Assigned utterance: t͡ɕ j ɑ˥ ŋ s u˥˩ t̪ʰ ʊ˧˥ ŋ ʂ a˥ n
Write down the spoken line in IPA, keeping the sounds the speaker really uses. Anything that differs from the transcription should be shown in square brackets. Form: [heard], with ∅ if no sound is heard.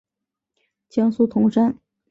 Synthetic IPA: t͡ɕ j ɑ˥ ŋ s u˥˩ t̪ʰ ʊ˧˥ ŋ ʂ a˥ n